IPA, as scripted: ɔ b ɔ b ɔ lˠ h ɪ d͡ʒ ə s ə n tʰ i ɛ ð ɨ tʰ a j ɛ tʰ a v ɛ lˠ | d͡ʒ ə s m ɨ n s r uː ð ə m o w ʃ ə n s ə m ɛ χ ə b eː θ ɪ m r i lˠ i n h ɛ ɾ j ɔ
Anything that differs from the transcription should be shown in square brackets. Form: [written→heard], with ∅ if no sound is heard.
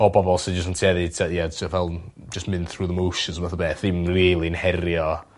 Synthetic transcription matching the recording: ɔ b ɔ b ɔ lˠ [h→s] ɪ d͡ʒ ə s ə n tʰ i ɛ ð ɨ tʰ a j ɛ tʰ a v ɛ lˠ | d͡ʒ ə s m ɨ n [s→θ] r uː ð ə m o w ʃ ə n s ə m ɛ [χ→θ] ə b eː θ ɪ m r i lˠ i n h ɛ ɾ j ɔ

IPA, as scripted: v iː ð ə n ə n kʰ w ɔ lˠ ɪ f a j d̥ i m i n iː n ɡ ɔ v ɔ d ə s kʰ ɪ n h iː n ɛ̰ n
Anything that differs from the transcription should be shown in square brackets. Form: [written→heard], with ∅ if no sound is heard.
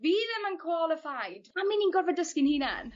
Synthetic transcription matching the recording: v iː ð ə [n→m] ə n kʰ w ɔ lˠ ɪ f a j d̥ [i→a] m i n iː n ɡ ɔ v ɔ d ə s [kʰ→k] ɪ n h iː n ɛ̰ n

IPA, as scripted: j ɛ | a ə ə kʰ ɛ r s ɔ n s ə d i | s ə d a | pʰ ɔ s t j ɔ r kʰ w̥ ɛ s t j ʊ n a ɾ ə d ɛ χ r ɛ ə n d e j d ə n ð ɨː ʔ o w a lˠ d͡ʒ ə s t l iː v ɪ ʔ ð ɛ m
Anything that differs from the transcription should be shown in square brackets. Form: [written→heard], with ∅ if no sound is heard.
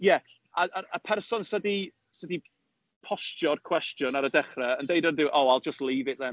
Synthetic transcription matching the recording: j ɛ | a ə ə [kʰ→pʰ] ɛ r s ɔ n s ə d i | s ə d [a→i] | pʰ ɔ s t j ɔ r kʰ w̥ ɛ s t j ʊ n a ɾ ə d ɛ χ r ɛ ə n d e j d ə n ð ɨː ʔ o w a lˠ d͡ʒ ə s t l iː v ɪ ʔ ð ɛ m

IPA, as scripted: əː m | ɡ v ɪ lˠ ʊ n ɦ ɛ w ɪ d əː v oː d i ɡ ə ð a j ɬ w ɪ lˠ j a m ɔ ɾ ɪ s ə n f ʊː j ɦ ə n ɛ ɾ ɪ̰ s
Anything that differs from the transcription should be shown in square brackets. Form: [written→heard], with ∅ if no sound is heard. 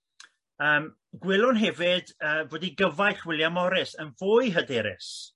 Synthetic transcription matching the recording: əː m | ɡ [v→w] ɪ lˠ ʊ n ɦ ɛ [w→v] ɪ d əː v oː d i ɡ ə [ð→v] a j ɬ w ɪ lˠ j a m ɔ ɾ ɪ s ə n [f→v] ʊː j ɦ ə [n→d] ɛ ɾ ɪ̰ s

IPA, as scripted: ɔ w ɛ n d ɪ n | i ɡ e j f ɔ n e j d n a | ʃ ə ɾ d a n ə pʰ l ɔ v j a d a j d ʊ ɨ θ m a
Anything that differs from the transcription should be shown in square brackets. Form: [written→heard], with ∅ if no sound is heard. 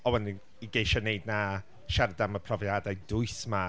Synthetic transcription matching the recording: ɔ w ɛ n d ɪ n | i ɡ e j [f→ʃ] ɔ n e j d n a | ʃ [ə→a] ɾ d a [n→m] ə pʰ [l→r] ɔ v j a d a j d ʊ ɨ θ m a

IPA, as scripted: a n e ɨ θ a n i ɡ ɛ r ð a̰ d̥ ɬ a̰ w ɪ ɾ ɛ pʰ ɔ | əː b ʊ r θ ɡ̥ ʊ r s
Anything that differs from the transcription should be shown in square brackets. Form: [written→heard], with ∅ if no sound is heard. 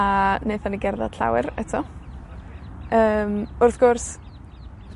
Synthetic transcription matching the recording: a n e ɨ θ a n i ɡ ɛ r ð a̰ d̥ ɬ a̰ w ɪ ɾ ɛ [pʰ→tʰ] ɔ | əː [b→m] ʊ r θ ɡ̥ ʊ r s

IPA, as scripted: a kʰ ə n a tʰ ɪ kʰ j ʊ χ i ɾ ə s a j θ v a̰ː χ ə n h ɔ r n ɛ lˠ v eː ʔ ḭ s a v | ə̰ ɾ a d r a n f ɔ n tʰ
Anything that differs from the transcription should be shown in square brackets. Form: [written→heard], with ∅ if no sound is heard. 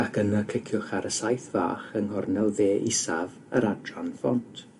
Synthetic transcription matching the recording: a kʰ ə n a [tʰ→kʰ] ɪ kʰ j ʊ χ [i→a] ɾ ə s a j θ v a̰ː χ ə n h ɔ r n ɛ lˠ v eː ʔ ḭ s a v | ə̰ ɾ a d r a n f ɔ n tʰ

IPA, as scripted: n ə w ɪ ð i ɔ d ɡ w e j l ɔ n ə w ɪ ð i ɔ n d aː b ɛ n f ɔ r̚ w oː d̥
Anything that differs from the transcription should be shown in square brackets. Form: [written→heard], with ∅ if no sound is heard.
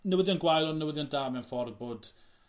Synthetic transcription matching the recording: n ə w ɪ ð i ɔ [d→n] ɡ w [e→a] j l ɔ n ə w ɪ ð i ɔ n d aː [b→m] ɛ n f ɔ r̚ [w→b] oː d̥

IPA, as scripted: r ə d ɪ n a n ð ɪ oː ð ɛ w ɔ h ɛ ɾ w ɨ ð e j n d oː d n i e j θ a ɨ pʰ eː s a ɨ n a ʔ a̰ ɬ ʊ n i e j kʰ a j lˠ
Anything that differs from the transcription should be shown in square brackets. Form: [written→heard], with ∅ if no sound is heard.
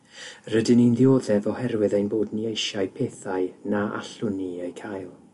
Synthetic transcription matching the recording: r ə d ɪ n [a→i] n ð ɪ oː ð ɛ [w→v] ɔ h ɛ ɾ w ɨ ð e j n [d→b] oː d n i e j [θ→ʃ] a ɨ pʰ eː [s→θ] a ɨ n a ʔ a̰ ɬ ʊ n i e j kʰ a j lˠ

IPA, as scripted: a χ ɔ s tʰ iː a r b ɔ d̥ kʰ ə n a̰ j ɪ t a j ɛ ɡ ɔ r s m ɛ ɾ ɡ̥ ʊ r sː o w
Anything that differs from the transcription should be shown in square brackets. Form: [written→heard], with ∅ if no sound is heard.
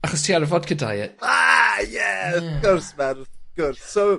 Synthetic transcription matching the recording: a χ ɔ s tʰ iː a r [b→v] ɔ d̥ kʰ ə [n→d] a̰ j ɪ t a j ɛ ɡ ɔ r s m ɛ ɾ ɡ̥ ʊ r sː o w

